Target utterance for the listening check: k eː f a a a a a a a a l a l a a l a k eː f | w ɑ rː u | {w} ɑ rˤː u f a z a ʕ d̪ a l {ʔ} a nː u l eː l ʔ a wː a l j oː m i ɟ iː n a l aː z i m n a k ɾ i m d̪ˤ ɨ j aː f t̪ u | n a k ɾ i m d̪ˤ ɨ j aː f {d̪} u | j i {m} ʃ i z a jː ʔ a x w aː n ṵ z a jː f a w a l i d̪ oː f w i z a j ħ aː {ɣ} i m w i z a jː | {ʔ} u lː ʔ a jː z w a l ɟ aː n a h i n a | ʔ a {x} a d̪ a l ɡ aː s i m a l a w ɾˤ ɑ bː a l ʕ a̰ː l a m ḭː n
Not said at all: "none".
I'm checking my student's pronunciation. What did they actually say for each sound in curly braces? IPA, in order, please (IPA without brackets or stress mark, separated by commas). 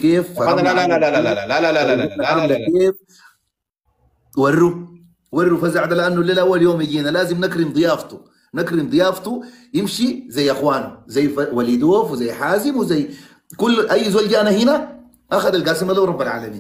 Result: w, ʔ, t̪, m, z, k, x